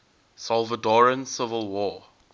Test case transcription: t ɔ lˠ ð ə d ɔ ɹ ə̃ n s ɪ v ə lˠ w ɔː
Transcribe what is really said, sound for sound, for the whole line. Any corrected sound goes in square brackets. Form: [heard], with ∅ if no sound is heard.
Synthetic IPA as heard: [s] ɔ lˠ [v] ə d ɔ ɹ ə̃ n s ɪ v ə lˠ w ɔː